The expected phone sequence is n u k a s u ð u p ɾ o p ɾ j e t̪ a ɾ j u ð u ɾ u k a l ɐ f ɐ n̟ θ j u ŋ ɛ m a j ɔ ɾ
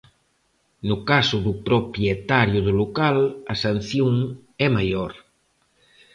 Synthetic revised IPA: n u k a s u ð u p ɾ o p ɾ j e t̪ a ɾ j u ð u l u k a l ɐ s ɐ n̟ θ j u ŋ ɛ m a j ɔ ɾ